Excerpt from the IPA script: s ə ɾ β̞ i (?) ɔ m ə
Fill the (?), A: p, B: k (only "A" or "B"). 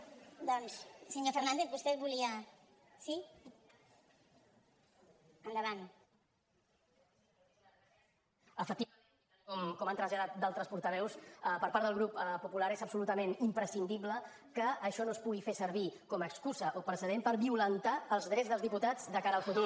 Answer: B